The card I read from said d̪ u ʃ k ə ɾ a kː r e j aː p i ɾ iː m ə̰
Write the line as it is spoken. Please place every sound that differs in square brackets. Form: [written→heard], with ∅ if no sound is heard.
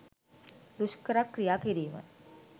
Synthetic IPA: d̪ u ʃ k ə ɾ a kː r [e→i] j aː [p→k] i ɾ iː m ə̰